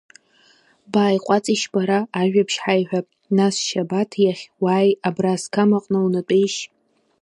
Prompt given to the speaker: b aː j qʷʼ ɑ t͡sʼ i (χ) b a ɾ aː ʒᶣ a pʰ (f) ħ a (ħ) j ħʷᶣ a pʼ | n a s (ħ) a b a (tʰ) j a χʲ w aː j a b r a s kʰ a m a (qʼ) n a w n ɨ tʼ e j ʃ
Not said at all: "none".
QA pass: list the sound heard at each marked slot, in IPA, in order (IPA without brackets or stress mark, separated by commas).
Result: ʃ, ʃ, none, ʃ, tʰ, qʼ